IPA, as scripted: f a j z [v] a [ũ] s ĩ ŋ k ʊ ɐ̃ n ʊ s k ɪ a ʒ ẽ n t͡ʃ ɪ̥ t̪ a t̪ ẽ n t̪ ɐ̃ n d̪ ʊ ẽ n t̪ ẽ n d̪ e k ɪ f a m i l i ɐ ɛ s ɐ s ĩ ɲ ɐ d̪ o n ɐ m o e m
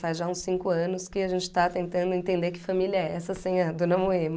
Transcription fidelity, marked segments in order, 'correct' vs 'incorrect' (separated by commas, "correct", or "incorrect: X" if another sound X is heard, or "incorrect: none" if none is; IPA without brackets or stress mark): incorrect: ʒ, correct